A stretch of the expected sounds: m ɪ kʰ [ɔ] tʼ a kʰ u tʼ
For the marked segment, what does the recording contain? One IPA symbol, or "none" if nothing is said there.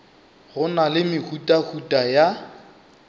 u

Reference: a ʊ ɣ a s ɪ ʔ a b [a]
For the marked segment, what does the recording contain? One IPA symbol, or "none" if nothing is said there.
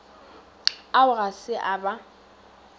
a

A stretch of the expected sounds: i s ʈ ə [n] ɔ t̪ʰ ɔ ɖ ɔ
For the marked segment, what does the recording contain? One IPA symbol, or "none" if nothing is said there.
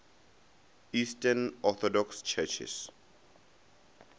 n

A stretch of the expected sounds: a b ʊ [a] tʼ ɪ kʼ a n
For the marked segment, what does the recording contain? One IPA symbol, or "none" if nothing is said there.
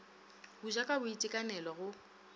i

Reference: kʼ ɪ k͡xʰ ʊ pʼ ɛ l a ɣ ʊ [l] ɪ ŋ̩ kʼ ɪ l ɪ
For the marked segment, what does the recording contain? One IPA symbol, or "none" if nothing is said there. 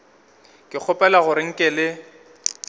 ɾ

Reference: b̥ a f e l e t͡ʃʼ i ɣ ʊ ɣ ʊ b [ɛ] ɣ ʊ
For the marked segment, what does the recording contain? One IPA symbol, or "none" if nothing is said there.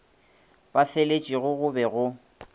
ɛ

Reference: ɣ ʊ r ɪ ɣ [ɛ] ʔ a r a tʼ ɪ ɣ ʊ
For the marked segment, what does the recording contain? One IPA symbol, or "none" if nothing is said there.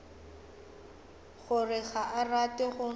a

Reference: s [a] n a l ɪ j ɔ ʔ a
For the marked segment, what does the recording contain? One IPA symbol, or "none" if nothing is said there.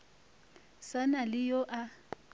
a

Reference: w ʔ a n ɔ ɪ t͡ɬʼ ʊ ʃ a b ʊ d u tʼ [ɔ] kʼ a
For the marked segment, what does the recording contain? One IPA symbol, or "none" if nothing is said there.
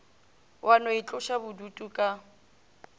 u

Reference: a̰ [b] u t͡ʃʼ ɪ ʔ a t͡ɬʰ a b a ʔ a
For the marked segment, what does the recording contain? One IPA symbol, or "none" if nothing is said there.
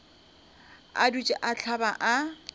d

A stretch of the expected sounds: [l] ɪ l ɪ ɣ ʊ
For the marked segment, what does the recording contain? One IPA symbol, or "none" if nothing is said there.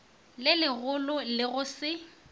l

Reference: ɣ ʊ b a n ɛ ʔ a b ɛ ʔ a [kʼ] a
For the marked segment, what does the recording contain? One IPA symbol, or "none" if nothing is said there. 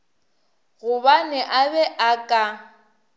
kʼ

